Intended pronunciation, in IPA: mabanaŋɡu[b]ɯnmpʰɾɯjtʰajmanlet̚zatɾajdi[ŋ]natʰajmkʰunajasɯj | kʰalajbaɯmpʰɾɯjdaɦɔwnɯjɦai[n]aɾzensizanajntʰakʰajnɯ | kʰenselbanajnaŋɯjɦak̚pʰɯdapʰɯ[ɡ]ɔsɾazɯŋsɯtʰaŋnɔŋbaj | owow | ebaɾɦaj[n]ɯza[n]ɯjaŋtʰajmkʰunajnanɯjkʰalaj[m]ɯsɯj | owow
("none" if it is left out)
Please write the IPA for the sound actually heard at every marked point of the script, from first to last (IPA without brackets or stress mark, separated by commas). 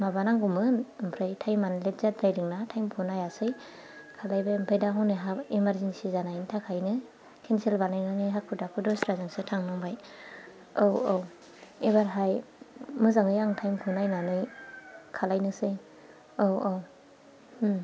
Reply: m, ŋ, m, d, m, ŋ, n